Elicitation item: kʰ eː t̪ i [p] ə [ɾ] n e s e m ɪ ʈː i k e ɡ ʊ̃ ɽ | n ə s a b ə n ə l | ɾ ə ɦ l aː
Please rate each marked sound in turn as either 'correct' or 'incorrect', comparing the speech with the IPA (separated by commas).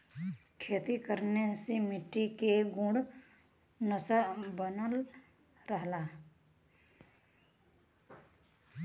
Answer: incorrect, correct